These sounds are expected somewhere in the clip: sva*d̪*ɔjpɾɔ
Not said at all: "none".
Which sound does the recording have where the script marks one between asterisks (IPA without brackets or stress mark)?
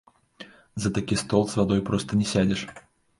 d̪